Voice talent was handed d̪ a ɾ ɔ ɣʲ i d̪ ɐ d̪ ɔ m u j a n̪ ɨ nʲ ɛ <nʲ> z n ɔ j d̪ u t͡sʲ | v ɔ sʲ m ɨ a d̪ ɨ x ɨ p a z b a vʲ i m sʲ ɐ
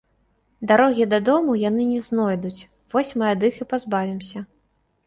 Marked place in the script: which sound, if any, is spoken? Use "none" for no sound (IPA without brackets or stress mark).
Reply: none